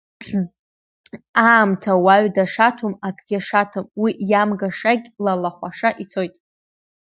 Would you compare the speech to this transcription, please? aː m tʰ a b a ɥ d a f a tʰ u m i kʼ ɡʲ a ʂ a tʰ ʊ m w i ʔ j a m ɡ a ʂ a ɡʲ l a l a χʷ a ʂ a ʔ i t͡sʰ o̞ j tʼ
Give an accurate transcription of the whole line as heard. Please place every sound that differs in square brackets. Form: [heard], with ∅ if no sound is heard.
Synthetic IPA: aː m tʰ a [w] a ɥ d a [ʂ] a tʰ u m [a] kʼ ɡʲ a ʂ a tʰ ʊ m w i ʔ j a m ɡ a ʂ a ɡʲ l a l a χʷ a ʂ a ʔ i t͡sʰ o̞ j tʼ